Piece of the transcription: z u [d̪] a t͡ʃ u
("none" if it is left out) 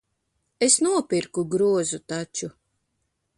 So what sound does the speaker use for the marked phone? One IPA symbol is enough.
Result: t̪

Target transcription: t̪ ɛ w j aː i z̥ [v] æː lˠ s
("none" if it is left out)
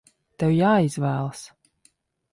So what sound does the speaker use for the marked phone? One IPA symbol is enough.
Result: v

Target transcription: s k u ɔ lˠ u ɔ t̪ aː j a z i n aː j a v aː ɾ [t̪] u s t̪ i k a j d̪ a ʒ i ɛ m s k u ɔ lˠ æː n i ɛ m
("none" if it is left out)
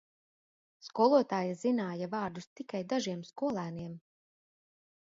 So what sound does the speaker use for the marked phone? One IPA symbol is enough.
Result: d̪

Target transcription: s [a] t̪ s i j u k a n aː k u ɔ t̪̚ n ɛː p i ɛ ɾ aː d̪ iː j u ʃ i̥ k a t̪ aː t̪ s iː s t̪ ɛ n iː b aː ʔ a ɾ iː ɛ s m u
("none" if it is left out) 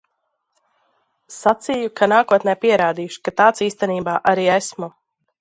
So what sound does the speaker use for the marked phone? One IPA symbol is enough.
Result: a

